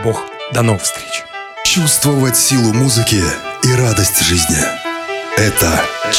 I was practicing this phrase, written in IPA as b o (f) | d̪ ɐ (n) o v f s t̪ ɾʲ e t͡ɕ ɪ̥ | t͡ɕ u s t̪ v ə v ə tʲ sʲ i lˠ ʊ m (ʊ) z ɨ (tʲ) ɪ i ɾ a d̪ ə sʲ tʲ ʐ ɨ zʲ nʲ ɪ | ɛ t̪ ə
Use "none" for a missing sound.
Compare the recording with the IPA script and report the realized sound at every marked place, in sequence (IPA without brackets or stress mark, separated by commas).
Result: x, n, u, kʲ